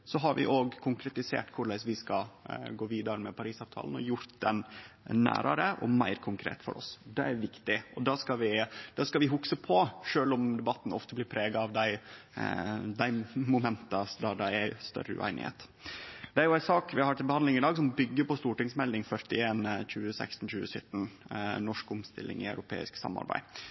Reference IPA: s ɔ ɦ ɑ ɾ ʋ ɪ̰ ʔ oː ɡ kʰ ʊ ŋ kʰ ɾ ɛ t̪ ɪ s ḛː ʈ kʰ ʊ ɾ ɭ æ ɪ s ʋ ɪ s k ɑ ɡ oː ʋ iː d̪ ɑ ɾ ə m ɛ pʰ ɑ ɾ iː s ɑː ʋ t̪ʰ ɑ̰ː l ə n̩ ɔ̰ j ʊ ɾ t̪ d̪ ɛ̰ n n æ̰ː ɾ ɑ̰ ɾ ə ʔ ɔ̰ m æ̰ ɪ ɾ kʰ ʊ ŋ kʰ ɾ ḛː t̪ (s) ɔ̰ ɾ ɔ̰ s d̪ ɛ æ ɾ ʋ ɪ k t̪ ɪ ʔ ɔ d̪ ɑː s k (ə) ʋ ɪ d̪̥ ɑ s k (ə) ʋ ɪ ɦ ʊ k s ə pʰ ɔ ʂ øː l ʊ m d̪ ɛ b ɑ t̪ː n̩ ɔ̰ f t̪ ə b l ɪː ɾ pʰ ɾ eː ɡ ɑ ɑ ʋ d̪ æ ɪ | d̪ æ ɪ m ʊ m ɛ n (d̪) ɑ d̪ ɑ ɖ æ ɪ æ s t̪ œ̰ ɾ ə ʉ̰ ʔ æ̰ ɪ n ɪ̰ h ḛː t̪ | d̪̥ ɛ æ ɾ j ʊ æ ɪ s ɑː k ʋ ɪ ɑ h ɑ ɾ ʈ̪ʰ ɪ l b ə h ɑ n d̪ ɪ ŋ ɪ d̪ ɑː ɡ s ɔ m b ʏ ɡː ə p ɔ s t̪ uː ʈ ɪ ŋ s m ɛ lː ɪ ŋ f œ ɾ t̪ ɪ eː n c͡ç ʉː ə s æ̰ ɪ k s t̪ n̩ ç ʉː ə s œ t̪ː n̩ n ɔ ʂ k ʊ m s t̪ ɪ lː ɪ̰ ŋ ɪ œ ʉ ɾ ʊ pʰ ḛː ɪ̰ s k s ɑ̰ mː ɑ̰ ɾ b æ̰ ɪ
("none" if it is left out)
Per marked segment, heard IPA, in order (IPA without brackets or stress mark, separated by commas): f, ɑ, ɑ, t̪